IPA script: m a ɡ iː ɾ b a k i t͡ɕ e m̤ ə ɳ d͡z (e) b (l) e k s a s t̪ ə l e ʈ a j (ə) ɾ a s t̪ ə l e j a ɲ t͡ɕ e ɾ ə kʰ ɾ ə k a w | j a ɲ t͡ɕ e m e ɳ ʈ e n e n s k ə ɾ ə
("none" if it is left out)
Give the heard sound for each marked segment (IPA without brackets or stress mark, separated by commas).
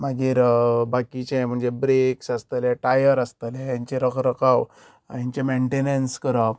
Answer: e, ɾ, ə